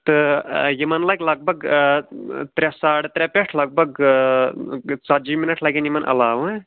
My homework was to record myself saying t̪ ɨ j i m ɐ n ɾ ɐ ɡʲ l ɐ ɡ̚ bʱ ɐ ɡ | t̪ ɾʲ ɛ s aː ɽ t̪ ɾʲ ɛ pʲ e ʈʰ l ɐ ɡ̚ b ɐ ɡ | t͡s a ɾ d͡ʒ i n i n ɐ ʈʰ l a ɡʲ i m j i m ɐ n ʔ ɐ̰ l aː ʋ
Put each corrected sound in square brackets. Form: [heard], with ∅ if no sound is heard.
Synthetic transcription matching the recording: t̪ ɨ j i m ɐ n [l] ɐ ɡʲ l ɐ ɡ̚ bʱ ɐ ɡ | t̪ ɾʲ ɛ s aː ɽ t̪ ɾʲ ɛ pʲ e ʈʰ l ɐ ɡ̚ b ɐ ɡ | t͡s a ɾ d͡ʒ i [m] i n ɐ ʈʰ l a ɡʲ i [n] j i m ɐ n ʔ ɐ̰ l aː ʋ

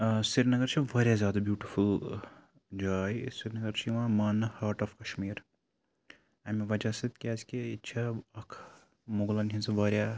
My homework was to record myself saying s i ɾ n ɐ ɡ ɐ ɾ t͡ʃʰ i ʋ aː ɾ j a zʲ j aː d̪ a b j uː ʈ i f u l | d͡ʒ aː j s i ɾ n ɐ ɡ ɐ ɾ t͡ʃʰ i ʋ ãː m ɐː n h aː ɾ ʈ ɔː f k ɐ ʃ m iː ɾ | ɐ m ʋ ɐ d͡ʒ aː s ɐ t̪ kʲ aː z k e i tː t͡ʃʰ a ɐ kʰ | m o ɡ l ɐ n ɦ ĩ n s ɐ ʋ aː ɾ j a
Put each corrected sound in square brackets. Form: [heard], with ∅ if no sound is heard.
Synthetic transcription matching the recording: s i ɾ n ɐ ɡ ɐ ɾ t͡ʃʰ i ʋ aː ɾ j a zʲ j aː d̪ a b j uː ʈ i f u l | d͡ʒ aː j s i ɾ n ɐ ɡ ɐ ɾ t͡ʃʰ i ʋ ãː m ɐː n h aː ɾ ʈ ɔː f k ɐ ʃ m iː ɾ | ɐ m ʋ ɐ d͡ʒ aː s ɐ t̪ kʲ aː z k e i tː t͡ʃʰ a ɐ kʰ | m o ɡ l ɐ n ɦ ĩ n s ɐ ʋ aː ɾ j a

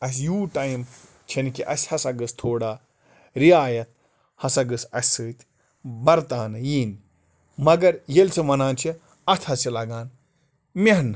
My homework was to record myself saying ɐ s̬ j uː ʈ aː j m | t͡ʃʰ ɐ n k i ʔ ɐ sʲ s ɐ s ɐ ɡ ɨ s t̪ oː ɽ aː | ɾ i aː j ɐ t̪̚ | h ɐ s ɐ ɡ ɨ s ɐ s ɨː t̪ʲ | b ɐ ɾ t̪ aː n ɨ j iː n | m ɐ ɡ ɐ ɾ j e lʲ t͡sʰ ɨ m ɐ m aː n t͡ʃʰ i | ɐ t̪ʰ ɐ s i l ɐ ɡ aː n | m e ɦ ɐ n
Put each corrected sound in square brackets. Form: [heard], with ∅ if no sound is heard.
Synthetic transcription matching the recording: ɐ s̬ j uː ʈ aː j m | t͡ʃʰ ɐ n k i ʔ ɐ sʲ [h] ɐ s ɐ ɡ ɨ s [t̪ʰ] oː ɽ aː | ɾ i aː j ɐ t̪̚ | h ɐ s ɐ ɡ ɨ s ɐ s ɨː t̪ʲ | b ɐ ɾ t̪ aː n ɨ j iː n | m ɐ ɡ ɐ ɾ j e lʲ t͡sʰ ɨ m ɐ [n] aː n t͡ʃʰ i | ɐ t̪ʰ ɐ s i l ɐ ɡ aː n | m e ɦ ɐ n

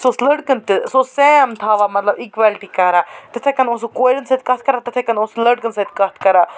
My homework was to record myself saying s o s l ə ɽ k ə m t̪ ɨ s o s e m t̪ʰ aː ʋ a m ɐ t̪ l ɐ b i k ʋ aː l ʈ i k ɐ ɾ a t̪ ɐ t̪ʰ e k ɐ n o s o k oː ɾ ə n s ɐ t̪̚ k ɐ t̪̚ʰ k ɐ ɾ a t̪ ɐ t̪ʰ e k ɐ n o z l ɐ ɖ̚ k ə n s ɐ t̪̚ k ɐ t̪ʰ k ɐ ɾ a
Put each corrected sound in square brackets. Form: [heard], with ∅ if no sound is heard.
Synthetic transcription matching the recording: s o s l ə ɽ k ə [n] t̪ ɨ s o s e m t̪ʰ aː ʋ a m ɐ t̪ l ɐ b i k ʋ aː l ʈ i k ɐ ɾ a t̪ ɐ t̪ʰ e k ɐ n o s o k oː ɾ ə n s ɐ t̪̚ k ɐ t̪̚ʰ k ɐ ɾ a t̪ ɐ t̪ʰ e k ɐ n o [s] l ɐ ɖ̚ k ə n s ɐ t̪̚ k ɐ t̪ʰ k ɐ ɾ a

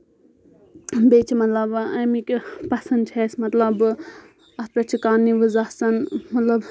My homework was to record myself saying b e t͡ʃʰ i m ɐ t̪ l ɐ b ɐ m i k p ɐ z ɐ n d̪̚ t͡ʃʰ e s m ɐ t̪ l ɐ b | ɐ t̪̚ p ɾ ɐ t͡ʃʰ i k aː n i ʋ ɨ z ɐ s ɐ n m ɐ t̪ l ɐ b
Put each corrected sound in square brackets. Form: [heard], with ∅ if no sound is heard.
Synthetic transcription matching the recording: b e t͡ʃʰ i m ɐ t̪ l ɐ b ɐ m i k p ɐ [s] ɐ n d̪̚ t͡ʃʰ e s m ɐ t̪ l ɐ b | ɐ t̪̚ p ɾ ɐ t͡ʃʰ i k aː n i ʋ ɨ z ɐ s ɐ n m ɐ t̪ l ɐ b

